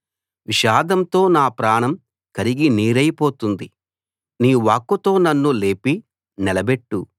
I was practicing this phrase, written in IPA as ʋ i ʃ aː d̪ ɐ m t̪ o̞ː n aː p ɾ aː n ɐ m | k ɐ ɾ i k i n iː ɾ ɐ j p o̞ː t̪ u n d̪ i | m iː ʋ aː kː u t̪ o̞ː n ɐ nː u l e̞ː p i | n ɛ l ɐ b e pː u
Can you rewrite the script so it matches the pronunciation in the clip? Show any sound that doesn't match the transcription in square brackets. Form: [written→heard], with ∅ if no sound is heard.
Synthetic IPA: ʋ i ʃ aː d̪ ɐ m t̪ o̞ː n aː p ɾ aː [n→ɳ] ɐ m | k ɐ ɾ i [k→ɡ] i n iː ɾ ɐ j p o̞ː t̪ u n d̪ i | [m→n] iː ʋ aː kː u t̪ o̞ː n ɐ nː u l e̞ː p i | n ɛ l ɐ b e [pː→ʈː] u